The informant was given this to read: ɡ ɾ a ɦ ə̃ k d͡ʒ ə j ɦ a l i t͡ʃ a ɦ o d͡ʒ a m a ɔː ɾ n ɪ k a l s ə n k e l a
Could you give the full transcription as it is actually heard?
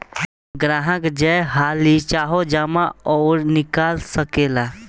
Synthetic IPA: ɡ ɾ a ɦ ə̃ k d͡ʒ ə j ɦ a l i t͡ʃ a ɦ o d͡ʒ a m a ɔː ɾ n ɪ k a l s ə k e l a